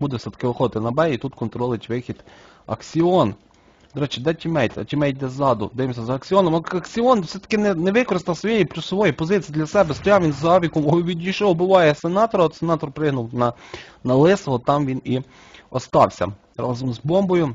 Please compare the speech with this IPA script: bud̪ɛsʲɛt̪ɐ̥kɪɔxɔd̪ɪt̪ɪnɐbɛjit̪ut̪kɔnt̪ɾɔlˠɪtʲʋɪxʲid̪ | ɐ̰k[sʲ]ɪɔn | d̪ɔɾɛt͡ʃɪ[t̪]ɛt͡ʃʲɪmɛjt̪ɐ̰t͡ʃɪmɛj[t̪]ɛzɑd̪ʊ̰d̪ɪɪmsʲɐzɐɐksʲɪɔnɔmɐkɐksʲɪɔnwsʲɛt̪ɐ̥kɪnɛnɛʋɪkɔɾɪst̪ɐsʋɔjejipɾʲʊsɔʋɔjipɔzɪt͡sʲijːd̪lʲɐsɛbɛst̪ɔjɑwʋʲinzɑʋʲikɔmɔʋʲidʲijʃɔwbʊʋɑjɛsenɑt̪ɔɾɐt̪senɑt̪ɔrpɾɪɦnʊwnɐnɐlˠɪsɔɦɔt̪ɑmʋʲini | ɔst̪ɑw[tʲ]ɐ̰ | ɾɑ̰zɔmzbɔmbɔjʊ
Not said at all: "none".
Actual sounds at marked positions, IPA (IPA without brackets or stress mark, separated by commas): sʲ, d̪, d̪, sʲ